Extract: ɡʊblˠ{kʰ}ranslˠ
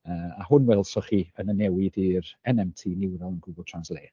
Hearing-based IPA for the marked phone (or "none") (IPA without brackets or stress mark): tʰ